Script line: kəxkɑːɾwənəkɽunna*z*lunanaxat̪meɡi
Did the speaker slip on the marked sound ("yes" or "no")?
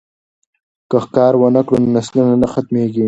yes